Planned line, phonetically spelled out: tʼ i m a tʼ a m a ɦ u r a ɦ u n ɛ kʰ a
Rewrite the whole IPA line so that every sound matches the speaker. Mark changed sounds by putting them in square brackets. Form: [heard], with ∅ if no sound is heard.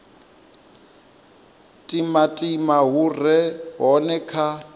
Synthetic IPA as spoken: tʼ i m a tʼ [i] m a ɦ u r [ɛ] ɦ [ɔ] n ɛ kʰ a